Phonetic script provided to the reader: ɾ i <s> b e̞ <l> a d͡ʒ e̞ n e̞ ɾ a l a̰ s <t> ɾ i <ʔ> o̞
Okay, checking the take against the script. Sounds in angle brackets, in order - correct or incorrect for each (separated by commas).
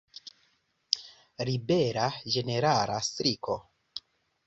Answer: incorrect, incorrect, correct, incorrect